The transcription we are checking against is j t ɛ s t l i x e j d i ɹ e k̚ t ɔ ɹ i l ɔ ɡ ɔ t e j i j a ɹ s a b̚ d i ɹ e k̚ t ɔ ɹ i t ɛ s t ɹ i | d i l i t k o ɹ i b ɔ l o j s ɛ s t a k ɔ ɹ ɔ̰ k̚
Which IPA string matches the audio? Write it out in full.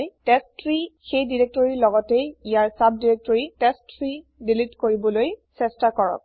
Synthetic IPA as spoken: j t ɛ s t ɹ i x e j d i ɹ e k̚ t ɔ ɹ i l ɔ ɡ ɔ t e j i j a ɹ s a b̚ d i ɹ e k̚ t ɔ ɹ i t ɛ s t ɹ i | d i l i t k o ɹ i b ɔ l o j s ɛ s t a k ɔ ɹ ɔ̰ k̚